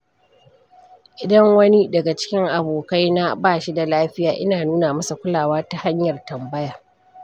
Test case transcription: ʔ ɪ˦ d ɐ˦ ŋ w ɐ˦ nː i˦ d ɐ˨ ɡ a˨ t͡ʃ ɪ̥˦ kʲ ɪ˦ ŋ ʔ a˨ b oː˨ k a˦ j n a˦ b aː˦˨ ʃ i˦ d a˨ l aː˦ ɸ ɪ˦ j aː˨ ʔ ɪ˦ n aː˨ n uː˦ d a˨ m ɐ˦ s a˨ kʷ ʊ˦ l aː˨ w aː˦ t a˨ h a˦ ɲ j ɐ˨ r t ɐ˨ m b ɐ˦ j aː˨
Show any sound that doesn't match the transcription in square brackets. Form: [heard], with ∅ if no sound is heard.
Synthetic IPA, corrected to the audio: ʔ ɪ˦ d ɐ˦ ŋ w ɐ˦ [n] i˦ d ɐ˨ ɡ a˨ t͡ʃ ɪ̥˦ kʲ ɪ˦ ŋ ʔ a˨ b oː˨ k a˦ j n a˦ b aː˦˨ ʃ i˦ d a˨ l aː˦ ɸ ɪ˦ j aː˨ ʔ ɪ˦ n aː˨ n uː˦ [n] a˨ m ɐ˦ s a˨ kʷ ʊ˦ l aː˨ w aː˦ t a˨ h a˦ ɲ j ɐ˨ r t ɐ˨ m b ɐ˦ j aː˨